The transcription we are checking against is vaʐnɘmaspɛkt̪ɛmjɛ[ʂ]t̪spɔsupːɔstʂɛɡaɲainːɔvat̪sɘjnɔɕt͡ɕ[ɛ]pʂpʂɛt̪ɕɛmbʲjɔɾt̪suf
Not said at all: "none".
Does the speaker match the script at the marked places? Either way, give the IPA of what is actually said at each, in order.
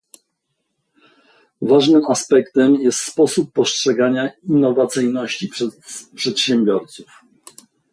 s, i

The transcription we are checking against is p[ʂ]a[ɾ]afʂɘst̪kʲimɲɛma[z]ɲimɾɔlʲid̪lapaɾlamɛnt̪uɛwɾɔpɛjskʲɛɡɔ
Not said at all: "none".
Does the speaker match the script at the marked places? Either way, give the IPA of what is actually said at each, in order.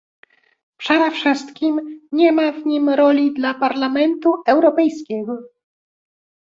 ʂ, ɾ, v

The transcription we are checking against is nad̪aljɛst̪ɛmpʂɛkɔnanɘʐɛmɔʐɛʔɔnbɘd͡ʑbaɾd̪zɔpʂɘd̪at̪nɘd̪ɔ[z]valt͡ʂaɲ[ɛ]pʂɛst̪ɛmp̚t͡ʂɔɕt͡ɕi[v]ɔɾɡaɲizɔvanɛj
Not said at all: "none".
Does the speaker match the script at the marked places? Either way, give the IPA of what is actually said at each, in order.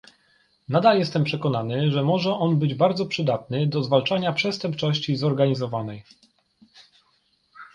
z, a, z

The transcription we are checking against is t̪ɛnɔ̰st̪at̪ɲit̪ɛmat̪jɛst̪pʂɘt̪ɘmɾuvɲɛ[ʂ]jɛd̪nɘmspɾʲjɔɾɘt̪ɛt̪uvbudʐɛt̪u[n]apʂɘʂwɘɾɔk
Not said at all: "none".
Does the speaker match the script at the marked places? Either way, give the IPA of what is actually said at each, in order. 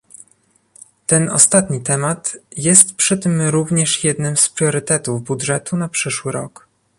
ʂ, n

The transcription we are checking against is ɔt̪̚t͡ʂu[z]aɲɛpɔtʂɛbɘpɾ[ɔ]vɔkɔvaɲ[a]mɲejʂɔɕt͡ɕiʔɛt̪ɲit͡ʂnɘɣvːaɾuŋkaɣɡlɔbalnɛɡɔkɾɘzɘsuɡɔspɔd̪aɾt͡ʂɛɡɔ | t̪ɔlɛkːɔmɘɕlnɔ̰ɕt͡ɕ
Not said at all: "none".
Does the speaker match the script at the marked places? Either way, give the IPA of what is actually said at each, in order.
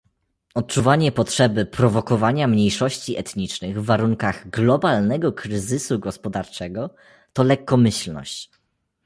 v, ɔ, a

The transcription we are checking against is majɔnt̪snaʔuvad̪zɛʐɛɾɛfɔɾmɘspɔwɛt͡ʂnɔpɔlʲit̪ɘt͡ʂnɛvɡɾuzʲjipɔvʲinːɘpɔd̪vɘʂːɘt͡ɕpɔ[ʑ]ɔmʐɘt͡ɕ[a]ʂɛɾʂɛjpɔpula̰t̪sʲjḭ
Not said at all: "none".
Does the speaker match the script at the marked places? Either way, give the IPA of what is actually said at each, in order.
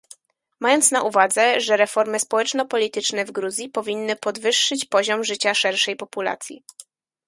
ʑ, a

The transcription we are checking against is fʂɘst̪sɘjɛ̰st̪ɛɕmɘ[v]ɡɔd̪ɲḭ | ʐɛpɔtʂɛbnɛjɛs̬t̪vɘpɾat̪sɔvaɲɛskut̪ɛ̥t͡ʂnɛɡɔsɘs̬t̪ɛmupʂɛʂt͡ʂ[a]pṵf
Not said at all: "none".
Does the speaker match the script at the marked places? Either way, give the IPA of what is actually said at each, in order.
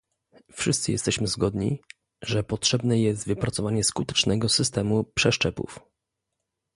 z, ɛ

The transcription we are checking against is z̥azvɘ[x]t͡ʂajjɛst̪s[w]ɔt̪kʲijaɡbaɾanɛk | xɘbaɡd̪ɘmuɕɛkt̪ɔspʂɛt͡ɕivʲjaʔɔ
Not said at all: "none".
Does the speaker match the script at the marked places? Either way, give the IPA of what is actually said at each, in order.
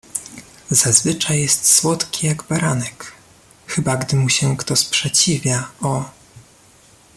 none, w

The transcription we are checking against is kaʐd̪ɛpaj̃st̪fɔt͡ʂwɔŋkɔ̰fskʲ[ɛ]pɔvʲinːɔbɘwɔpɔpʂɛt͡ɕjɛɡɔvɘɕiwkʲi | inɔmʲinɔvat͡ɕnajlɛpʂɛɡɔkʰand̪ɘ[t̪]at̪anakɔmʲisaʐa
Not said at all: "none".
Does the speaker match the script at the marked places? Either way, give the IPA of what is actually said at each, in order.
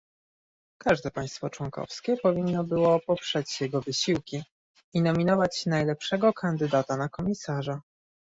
ɛ, d̪

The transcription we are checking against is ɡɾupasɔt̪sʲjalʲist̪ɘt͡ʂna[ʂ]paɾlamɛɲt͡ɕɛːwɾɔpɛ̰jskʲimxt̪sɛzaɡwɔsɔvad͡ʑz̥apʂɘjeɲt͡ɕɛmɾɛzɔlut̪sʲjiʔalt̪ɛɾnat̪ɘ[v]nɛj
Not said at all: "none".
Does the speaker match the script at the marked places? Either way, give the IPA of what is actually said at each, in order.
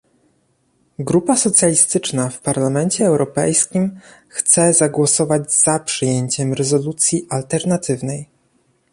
f, v

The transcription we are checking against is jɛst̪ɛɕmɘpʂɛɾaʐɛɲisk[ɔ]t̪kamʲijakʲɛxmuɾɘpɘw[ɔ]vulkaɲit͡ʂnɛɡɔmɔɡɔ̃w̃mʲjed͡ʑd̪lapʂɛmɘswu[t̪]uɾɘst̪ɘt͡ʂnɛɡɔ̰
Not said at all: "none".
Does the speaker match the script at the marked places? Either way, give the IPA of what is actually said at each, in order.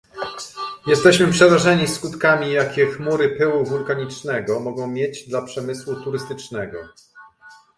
u, u, t̪

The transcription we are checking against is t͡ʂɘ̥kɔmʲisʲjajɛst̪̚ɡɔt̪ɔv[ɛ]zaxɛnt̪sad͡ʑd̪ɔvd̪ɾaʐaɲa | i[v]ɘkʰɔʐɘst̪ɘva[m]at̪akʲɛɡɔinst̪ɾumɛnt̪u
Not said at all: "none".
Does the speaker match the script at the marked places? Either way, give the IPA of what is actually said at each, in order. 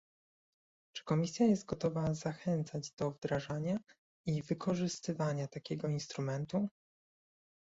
a, v, ɲ

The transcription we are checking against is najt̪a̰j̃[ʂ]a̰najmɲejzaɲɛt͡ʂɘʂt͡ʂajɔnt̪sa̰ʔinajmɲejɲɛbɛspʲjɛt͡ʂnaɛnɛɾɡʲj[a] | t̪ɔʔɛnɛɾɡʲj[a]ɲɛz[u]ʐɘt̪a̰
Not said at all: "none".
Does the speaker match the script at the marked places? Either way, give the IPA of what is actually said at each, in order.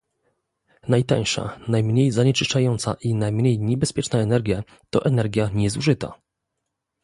ʂ, a, a, u

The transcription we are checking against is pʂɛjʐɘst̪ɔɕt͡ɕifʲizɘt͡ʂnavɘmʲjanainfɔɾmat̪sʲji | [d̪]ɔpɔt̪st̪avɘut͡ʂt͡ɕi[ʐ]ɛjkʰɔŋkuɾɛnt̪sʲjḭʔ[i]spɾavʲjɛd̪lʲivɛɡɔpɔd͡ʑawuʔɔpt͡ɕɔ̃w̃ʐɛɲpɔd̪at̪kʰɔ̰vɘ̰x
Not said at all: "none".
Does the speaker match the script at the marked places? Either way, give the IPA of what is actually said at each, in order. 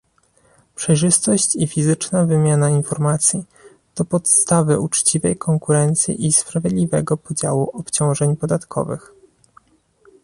t̪, v, i

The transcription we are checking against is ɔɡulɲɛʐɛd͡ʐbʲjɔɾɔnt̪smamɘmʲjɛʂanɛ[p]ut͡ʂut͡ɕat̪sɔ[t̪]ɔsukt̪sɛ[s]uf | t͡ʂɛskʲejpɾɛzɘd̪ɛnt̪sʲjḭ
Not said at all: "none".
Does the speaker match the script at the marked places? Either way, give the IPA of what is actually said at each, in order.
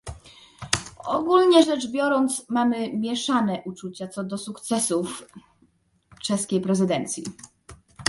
ʔ, d̪, s

